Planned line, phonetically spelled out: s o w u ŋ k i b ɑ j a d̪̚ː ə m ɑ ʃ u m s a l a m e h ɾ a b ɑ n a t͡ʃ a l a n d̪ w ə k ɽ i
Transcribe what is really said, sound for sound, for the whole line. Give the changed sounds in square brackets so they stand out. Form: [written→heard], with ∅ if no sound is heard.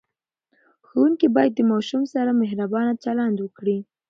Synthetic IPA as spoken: [s→x] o w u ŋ k i b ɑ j a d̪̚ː ə m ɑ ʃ u m s a [l→ɾ] a m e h ɾ a b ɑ n a t͡ʃ a l a n d̪ w ə k ɽ i